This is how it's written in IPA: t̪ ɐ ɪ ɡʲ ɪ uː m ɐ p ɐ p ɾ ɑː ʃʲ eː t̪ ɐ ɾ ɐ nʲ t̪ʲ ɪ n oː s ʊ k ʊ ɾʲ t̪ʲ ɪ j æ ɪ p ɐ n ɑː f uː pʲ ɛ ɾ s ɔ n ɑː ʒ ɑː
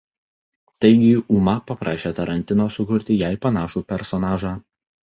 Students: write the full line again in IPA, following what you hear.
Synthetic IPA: t̪ ɐ ɪ ɡʲ ɪ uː m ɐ p ɐ p ɾ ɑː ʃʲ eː t̪ ɐ ɾ ɐ nʲ t̪ʲ ɪ n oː s ʊ k ʊ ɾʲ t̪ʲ ɪ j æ ɪ p ɐ n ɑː ʃ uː pʲ ɛ ɾ s ɔ n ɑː ʒ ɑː